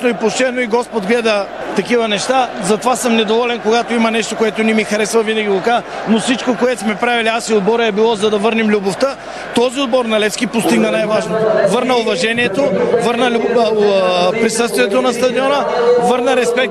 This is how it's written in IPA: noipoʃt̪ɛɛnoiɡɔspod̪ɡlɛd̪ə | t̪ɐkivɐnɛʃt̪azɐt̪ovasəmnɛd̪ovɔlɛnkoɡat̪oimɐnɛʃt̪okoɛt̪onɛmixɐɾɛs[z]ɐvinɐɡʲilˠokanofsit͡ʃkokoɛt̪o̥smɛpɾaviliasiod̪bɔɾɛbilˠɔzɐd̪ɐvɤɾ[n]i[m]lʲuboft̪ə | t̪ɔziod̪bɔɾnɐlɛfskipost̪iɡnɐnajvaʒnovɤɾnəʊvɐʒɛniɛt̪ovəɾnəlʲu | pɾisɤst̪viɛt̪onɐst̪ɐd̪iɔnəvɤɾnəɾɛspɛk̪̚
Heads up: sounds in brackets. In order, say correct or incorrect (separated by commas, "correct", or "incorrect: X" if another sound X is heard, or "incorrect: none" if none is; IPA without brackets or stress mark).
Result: incorrect: v, correct, correct